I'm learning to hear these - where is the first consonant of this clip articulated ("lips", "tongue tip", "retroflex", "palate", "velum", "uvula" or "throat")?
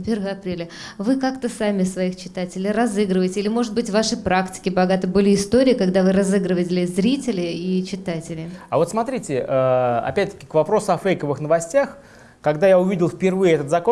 lips